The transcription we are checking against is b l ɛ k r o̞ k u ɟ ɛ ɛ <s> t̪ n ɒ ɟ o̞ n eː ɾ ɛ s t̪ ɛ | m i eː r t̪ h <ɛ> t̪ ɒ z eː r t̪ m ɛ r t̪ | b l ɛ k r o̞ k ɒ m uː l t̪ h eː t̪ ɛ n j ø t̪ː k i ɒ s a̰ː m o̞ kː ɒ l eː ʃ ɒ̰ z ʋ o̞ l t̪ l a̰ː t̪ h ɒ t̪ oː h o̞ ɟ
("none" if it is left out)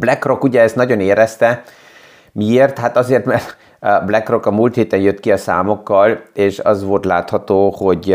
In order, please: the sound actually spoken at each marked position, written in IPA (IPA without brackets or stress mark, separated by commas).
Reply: s, a